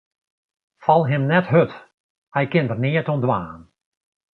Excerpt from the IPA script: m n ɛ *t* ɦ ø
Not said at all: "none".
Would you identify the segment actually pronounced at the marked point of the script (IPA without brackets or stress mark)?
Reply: t